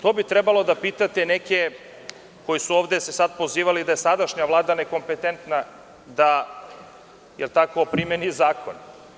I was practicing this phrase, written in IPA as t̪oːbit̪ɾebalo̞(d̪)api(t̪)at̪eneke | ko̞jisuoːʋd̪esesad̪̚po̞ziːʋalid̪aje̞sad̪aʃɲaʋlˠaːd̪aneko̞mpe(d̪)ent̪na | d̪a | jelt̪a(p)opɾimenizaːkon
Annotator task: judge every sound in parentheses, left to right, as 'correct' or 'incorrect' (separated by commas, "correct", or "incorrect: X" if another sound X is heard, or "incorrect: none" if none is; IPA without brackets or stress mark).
correct, correct, incorrect: t̪, incorrect: k